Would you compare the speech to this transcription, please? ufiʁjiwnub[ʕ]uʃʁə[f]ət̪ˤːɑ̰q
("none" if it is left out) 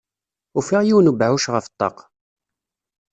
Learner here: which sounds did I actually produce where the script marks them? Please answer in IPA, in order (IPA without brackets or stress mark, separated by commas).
ʕ, f